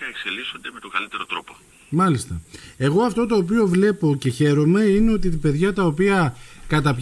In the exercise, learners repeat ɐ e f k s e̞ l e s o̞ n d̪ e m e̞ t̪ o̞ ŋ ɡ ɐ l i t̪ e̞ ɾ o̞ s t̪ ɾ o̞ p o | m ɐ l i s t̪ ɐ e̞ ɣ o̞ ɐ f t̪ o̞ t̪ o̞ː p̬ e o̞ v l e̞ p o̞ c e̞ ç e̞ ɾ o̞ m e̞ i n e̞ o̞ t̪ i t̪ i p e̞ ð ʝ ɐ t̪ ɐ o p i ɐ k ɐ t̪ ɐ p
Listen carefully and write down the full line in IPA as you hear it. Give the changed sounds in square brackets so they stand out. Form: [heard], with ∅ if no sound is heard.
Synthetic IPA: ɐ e [∅] k s e̞ l [i] s o̞ n d̪ e m e̞ t̪ o̞ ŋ ɡ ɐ l i t̪ e̞ ɾ o̞ [∅] t̪ ɾ o̞ p o | m ɐ l i s t̪ ɐ e̞ ɣ o̞ ɐ f t̪ o̞ t̪ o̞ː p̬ [i] o̞ v l e̞ p o̞ c e̞ ç e̞ ɾ o̞ m e̞ i n e̞ o̞ t̪ i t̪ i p e̞ ð ʝ ɐ t̪ ɐ o p i ɐ k ɐ t̪ ɐ p